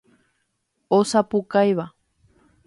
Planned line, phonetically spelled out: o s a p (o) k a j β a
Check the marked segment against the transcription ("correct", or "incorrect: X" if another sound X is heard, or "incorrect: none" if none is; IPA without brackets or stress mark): incorrect: u